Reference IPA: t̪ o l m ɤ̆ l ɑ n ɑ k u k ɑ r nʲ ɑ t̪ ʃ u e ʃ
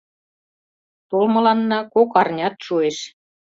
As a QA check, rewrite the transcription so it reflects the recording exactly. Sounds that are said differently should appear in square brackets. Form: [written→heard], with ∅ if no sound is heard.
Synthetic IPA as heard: t̪ o l m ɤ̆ l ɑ [n→nː] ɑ k [u→o] k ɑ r nʲ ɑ t̪ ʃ u e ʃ